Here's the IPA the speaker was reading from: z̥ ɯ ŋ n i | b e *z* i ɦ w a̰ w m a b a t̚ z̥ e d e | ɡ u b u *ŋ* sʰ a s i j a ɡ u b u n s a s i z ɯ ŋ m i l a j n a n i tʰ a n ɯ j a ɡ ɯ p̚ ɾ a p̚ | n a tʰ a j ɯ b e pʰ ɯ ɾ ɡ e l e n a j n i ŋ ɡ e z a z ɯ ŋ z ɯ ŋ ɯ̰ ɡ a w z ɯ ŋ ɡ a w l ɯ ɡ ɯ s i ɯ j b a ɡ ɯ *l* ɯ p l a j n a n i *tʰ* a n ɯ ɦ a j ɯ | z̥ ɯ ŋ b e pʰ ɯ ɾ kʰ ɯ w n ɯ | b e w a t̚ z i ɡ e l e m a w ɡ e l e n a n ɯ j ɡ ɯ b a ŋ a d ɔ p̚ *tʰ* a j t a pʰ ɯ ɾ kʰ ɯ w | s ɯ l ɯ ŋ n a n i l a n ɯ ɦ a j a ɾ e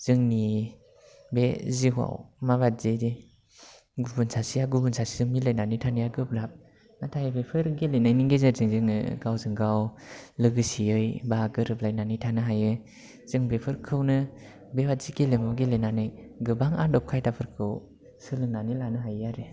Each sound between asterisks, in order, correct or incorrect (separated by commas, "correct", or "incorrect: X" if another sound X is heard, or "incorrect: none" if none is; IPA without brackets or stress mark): correct, incorrect: n, incorrect: ɾ, correct, incorrect: kʰ